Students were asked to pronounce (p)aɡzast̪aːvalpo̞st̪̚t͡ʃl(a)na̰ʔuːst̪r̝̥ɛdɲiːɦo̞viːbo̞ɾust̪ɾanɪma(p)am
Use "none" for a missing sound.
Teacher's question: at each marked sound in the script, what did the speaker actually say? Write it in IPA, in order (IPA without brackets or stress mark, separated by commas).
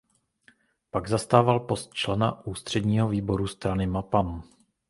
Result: p, ɛ, p